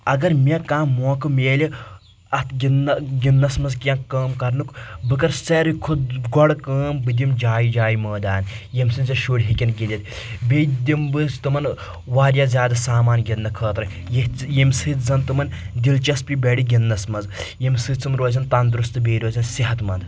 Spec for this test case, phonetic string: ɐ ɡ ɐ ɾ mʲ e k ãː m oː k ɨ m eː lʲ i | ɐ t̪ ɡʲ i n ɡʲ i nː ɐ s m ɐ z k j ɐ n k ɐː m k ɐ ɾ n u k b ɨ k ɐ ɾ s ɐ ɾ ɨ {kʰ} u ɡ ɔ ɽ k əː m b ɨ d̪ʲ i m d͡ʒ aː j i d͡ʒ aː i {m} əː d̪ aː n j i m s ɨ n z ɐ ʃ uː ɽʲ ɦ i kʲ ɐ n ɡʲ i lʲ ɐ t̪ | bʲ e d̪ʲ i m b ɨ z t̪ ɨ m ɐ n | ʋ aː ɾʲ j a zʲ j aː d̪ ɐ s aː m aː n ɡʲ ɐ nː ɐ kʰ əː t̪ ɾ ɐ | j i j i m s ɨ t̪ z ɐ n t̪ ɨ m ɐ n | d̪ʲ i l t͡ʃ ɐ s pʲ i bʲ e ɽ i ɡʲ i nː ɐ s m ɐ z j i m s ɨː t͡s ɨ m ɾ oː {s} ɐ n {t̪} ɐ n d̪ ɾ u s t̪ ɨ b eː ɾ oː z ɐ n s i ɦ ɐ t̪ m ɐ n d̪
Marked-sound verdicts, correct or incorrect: correct, correct, incorrect: z, correct

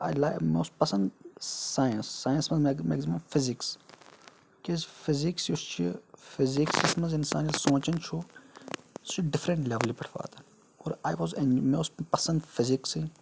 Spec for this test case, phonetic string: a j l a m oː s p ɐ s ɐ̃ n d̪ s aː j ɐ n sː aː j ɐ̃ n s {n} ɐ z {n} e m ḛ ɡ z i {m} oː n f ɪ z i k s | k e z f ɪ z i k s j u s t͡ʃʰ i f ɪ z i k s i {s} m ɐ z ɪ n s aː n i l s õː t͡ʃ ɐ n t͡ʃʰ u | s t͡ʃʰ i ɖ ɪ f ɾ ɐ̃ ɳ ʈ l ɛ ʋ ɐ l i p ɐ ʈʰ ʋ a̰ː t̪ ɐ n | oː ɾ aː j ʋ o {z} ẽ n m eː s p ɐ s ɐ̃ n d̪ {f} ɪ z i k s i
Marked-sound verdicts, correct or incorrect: incorrect: m, incorrect: m, correct, correct, correct, correct

